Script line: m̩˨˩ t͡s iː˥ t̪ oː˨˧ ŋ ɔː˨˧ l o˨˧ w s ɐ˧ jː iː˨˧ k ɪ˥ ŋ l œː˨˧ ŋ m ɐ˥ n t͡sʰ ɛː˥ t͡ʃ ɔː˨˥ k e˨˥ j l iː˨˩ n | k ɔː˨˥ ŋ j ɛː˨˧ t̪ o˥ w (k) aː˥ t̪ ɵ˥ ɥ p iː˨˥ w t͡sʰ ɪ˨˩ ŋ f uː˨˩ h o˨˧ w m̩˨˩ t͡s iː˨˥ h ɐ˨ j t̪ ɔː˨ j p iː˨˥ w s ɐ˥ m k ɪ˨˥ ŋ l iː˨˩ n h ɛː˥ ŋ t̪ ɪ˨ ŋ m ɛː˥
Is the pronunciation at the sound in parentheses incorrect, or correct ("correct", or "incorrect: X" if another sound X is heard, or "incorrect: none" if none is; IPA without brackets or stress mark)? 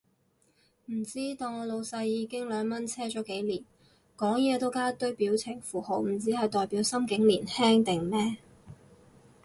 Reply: correct